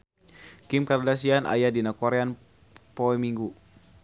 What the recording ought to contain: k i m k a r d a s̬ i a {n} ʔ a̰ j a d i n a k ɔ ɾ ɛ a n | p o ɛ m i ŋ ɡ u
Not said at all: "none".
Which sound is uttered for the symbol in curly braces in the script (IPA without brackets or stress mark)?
n